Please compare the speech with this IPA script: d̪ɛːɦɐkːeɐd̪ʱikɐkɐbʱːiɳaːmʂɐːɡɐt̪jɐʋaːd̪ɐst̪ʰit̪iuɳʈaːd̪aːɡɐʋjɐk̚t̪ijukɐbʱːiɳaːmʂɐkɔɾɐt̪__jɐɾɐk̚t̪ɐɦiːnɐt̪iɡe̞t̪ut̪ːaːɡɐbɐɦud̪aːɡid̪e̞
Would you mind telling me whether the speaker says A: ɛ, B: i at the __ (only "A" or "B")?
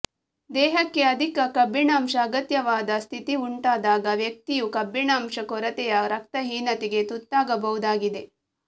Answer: A